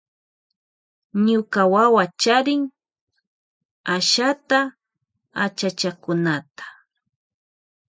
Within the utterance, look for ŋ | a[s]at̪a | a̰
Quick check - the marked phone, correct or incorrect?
incorrect